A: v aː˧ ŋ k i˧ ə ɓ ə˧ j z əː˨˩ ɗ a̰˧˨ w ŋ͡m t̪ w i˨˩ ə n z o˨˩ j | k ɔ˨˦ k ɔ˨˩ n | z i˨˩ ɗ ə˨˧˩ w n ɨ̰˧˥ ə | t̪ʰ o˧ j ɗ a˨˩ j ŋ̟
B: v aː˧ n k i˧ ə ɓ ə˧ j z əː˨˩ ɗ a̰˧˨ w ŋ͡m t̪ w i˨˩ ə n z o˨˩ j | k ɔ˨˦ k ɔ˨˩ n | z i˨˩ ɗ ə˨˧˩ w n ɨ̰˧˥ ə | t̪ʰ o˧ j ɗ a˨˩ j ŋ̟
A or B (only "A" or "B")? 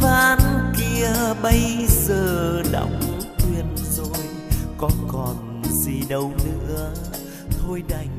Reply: B